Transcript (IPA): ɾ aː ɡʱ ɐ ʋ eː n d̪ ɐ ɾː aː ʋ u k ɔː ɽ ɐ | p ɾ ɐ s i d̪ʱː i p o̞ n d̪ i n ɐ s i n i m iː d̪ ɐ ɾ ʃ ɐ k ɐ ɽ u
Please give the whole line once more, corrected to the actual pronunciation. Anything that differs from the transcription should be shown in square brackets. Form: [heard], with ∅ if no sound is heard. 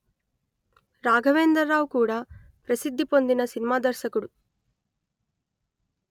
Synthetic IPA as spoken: ɾ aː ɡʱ ɐ ʋ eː n d̪ ɐ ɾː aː ʋ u k [uː] ɽ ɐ | p ɾ ɐ s i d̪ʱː i p o̞ n d̪ i n ɐ s i n i m [aː] d̪ ɐ ɾ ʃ ɐ k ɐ ɽ u